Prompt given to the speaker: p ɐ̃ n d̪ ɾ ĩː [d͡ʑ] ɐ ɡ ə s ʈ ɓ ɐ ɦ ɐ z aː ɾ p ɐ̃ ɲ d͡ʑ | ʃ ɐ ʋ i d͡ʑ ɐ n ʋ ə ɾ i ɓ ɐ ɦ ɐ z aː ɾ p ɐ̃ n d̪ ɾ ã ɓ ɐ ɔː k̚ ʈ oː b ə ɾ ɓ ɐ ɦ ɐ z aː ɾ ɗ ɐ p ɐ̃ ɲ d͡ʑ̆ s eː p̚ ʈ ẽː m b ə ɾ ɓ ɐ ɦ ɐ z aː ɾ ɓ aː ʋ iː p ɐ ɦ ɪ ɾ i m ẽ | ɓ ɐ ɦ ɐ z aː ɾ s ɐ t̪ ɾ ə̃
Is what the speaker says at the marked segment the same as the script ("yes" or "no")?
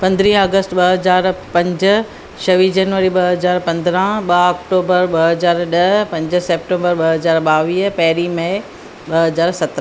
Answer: no